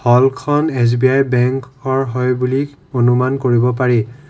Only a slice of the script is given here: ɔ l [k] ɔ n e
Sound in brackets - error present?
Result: yes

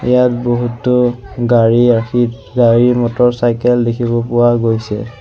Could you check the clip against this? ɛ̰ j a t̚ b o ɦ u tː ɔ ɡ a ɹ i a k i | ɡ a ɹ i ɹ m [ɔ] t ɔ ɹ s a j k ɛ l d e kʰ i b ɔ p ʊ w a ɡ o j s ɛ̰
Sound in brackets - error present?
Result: no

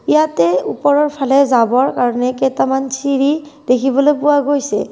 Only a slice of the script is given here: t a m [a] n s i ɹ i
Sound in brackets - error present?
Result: no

